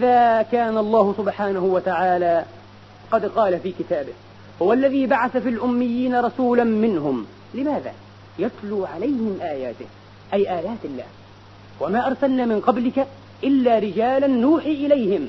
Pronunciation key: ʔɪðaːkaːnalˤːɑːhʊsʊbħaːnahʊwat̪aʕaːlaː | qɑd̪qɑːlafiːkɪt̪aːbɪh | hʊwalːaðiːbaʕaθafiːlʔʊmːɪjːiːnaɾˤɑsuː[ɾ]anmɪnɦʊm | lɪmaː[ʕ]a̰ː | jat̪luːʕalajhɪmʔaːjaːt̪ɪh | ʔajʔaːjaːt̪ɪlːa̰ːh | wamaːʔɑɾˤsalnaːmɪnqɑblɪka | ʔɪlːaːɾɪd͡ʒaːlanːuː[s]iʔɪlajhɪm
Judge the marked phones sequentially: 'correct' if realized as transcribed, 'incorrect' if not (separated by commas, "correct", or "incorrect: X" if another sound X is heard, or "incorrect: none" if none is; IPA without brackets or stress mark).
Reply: incorrect: l, incorrect: ð, incorrect: ħ